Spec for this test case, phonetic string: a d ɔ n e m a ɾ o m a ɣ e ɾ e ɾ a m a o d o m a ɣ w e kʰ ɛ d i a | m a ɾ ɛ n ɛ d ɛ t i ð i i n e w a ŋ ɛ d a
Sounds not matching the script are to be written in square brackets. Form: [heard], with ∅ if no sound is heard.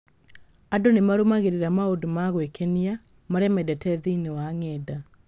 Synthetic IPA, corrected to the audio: a d [o] n e m a ɾ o m a ɣ e ɾ e ɾ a m a o d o m a ɣ w e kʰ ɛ [n] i a | m a ɾ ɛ [m] ɛ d ɛ t [ɛ] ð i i n e w a ŋ ɛ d a